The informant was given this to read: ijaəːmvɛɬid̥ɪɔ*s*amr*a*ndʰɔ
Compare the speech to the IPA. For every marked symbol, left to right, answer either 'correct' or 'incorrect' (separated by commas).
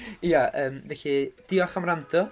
incorrect, correct